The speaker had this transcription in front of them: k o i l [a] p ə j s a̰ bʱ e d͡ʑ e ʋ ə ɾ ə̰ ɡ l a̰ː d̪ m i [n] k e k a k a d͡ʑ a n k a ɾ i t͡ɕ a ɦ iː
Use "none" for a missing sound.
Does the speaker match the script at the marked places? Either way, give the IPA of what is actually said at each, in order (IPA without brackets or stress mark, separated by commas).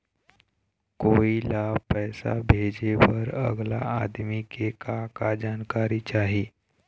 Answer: a, none